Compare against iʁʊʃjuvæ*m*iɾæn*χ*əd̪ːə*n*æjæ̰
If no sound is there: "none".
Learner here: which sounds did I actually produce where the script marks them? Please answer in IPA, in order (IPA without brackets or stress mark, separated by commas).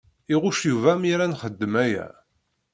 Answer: m, χ, m